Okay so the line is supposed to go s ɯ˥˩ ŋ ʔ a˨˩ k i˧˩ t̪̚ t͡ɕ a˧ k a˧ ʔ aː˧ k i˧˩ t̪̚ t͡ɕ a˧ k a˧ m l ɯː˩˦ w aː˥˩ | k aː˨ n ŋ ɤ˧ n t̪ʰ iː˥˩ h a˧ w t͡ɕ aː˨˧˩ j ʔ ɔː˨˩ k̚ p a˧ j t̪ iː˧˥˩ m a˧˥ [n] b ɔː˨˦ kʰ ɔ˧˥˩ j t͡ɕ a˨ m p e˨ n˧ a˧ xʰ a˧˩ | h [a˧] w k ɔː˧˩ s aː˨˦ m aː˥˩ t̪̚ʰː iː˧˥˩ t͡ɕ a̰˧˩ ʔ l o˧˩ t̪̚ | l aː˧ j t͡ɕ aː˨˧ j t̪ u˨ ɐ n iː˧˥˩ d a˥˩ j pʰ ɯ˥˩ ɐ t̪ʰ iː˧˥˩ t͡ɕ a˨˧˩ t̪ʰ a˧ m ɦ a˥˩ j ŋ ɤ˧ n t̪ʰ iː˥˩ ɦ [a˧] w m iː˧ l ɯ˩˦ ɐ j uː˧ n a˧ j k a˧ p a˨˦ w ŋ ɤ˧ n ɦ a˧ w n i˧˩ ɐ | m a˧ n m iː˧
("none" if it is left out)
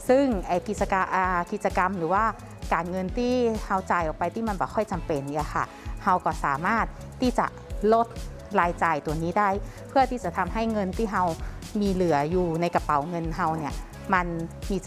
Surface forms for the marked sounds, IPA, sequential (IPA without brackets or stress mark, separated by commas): n, a˧, a˧